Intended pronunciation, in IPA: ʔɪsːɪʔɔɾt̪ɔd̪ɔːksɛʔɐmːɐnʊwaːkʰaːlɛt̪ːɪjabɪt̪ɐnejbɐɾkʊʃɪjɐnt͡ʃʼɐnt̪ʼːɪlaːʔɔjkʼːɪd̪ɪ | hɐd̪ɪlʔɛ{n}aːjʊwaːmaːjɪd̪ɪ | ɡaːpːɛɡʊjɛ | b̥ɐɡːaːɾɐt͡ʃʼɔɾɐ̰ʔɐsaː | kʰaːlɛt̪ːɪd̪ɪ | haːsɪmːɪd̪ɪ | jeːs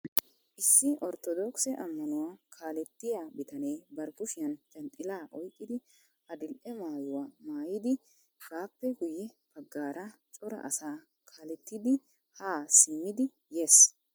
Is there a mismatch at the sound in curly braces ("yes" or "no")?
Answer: yes